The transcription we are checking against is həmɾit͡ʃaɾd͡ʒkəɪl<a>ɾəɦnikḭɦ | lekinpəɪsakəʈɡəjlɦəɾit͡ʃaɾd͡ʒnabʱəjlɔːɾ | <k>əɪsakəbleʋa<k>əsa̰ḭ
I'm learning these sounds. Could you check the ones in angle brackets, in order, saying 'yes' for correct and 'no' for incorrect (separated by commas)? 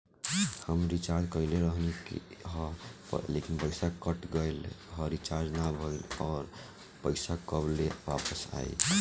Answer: no, no, no